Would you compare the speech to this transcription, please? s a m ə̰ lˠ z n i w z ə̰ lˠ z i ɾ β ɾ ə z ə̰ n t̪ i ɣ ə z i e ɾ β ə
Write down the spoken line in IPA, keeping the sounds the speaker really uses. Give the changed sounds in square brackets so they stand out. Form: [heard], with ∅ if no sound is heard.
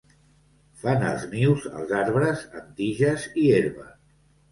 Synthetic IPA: [f] a [n] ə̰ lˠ z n i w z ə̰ lˠ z [a] ɾ β ɾ ə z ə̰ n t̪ i [ʒ] ə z i e ɾ β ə